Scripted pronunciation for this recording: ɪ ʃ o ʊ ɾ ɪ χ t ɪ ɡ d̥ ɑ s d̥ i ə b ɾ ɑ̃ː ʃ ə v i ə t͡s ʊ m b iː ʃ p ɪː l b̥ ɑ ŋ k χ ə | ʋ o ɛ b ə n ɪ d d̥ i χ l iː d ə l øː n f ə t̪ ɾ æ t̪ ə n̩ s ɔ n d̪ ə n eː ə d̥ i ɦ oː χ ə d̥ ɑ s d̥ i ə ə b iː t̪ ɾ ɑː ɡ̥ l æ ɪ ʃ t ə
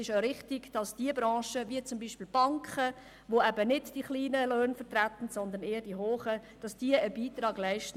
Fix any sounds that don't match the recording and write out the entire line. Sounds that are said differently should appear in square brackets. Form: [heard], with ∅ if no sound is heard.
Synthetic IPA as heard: ɪ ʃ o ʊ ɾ ɪ χ t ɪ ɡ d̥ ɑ s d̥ i ə b ɾ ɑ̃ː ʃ ə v i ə t͡s ʊ m b iː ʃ p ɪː l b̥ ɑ ŋ k χ ə | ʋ o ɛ b ə n ɪ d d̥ i χ l iː [n] ə l øː n f ə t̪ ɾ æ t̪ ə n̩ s ɔ n d̪ ə n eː ə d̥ i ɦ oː χ ə d̥ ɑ s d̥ i ə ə b iː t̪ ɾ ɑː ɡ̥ l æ ɪ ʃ t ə